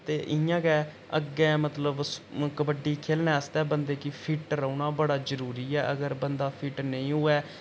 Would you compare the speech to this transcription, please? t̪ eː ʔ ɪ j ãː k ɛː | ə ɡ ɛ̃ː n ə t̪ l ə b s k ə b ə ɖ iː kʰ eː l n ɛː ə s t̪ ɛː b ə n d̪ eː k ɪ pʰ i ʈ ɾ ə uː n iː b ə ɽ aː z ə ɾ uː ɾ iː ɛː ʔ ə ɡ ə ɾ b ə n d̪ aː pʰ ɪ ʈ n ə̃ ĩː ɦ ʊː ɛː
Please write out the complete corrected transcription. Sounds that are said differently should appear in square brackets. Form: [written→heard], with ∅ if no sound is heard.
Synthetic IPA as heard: t̪ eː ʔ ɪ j ãː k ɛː | ə ɡ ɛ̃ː [n→m] ə t̪ l ə b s k ə b ə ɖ iː kʰ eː l n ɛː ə s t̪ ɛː b ə n d̪ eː k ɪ pʰ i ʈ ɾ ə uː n [iː→aː] b ə ɽ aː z ə ɾ uː ɾ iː ɛː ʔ ə ɡ ə ɾ b ə n d̪ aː pʰ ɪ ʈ n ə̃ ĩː ɦ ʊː ɛː